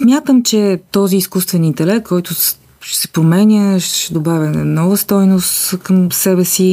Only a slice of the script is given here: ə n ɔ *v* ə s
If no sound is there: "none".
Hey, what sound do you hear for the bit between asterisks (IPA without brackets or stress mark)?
v